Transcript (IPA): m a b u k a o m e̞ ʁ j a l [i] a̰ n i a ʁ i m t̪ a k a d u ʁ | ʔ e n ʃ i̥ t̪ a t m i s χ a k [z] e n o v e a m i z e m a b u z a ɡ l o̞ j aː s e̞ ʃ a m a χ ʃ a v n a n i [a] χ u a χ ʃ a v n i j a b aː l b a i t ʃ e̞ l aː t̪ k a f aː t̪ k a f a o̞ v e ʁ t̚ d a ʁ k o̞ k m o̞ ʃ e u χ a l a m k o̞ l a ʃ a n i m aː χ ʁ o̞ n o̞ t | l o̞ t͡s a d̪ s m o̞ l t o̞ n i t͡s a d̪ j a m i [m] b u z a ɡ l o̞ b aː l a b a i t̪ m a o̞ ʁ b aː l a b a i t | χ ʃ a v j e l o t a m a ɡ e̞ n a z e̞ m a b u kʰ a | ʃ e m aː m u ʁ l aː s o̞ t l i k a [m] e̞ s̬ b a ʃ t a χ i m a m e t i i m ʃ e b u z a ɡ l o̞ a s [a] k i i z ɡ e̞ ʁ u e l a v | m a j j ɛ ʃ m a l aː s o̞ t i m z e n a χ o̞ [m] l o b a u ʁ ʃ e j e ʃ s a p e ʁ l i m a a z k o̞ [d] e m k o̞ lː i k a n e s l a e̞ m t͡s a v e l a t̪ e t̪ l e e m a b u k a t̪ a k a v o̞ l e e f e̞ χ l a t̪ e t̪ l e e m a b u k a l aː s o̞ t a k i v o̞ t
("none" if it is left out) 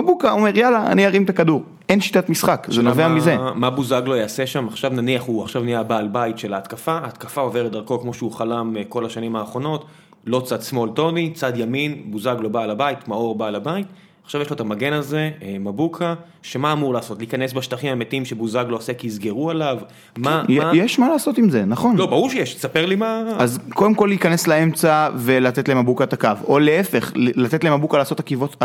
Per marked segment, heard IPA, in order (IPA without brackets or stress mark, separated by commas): a, z, a, n, n, e, n, d